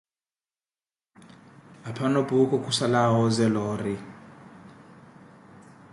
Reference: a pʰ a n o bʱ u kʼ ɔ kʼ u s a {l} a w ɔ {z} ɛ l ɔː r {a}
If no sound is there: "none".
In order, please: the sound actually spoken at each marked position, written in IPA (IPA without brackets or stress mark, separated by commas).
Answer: l, z, i